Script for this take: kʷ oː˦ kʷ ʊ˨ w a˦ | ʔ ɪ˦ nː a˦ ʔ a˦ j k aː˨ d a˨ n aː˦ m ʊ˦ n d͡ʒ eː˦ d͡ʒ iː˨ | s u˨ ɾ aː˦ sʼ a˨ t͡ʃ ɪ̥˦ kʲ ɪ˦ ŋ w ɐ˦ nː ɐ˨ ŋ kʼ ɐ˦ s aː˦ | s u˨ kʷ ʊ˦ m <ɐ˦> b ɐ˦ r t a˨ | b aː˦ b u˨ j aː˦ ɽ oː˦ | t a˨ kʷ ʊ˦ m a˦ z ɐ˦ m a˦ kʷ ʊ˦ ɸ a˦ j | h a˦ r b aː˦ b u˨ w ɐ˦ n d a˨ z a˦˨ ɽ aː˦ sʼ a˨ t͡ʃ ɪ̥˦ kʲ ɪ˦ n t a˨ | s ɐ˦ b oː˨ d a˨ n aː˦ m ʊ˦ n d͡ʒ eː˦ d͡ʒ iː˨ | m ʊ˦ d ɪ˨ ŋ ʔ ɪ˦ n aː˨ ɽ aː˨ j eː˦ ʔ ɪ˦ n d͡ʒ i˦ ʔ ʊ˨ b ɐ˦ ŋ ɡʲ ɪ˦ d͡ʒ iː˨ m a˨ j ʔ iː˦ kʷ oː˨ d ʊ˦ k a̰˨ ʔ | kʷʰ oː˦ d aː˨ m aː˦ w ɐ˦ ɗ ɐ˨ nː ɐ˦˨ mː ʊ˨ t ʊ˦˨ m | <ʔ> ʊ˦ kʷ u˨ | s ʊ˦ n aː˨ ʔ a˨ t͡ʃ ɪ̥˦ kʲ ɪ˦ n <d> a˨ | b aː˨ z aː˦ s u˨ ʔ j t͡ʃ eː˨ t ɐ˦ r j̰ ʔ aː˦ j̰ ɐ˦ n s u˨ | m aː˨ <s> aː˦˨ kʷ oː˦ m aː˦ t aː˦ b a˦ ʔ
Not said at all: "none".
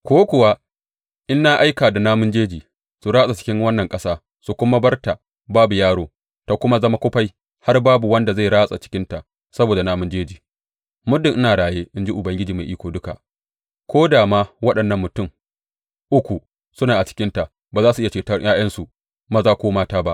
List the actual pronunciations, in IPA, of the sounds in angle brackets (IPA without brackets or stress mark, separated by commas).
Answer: a˦, ʔ, t, z